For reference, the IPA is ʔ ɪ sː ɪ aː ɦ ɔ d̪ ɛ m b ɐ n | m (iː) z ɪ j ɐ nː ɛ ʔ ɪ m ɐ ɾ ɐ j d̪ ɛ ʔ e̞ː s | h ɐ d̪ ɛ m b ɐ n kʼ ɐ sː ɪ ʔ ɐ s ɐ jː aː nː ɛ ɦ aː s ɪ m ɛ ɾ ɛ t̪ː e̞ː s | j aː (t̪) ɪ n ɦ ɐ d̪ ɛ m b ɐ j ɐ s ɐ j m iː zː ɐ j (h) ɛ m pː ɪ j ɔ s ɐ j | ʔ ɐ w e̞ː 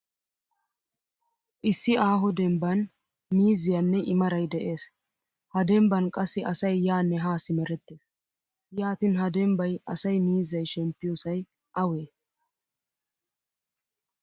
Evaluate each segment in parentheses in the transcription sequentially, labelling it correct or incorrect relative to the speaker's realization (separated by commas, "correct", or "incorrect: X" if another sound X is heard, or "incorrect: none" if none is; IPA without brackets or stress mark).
correct, correct, incorrect: ʃ